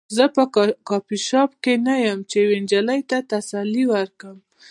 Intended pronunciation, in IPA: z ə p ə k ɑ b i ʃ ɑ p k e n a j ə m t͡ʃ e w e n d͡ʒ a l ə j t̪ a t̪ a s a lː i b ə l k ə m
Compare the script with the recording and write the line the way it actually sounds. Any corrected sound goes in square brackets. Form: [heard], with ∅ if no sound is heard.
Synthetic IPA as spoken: z ə p ə k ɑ [p] i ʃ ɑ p k e n a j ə m t͡ʃ e w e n d͡ʒ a l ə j t̪ a t̪ a s a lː i [w] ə [ɾ] k ə m